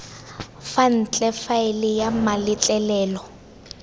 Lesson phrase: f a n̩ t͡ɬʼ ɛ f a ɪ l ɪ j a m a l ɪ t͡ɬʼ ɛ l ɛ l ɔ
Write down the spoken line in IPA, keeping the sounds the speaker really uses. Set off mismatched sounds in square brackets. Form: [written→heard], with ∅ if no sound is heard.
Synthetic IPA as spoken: f a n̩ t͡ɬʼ ɛ f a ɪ l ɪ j a m a l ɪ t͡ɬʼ ɛ l [ɛ→ɛː] l ɔ